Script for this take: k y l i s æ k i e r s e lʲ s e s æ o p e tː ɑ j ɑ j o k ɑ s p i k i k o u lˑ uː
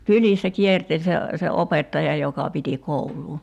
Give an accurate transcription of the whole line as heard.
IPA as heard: k y l i sː æ k i e r t e lʲ s e s e o p e tː ɑ j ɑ j o k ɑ p i t i k o u lˑ uː